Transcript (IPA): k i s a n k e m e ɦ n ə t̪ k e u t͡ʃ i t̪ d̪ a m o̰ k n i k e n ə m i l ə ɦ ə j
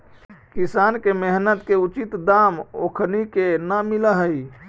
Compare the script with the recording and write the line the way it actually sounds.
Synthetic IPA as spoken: k i s a n k e m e ɦ n ə t̪ k e u t͡ʃ i t̪ d̪ a m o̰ kʰ n i k e n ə m i l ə ɦ ə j

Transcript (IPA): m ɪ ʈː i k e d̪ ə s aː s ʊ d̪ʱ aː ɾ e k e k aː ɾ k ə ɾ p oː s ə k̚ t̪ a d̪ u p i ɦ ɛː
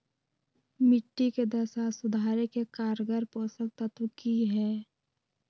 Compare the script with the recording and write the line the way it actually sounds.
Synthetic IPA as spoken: m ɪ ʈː i k e d̪ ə s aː s ʊ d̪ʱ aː ɾ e k e k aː ɾ ɡ ə ɾ p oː s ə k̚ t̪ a t̪ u k i ɦ ɛː

